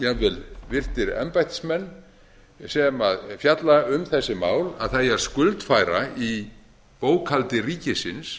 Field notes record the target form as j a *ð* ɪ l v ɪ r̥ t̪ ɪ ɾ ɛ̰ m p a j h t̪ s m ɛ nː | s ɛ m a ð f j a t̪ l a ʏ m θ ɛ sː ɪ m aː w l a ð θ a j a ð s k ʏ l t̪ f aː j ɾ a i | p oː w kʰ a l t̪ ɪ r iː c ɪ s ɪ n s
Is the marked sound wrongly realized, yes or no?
yes